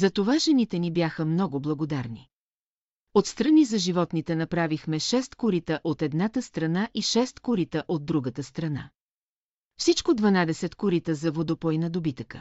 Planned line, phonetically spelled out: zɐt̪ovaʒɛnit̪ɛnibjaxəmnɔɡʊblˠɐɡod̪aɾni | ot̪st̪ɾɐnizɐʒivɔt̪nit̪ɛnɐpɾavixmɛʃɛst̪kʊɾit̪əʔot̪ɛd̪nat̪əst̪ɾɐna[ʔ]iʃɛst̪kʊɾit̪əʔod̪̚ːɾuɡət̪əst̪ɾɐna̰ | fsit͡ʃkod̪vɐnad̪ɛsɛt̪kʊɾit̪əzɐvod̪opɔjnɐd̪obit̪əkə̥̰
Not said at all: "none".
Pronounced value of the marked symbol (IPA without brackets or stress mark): ʔ